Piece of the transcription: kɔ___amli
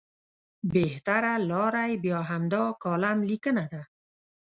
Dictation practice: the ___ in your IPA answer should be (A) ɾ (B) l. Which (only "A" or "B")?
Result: B